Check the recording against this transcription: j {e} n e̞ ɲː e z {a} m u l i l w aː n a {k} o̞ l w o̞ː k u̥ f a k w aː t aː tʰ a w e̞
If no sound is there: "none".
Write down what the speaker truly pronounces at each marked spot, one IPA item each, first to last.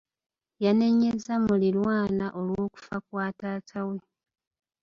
a, a, ʔ

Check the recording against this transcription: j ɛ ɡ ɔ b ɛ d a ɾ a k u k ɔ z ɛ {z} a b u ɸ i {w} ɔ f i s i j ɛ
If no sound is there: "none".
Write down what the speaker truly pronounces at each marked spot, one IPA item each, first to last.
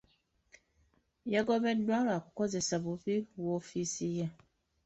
s, w

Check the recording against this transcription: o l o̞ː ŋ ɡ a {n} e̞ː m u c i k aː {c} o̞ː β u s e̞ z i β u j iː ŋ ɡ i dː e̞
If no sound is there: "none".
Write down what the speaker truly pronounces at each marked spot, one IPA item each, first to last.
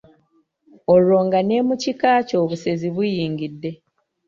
n, c

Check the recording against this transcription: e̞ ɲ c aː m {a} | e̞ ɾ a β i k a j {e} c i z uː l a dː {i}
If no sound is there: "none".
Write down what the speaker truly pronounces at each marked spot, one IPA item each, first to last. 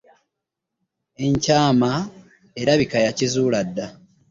a, a, a

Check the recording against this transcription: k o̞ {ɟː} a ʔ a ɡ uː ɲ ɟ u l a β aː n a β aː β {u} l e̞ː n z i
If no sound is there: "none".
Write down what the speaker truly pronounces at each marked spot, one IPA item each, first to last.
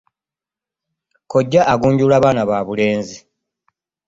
ɟː, u

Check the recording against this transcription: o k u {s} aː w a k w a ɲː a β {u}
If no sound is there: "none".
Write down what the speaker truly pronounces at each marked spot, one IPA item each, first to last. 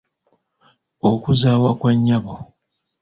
z, o

